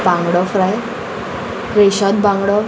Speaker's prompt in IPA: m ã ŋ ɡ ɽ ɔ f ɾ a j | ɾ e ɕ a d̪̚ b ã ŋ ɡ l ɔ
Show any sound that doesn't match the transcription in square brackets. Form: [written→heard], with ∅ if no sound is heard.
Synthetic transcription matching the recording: [m→b] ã ŋ ɡ ɽ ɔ f ɾ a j | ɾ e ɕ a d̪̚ b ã ŋ ɡ [l→ɽ] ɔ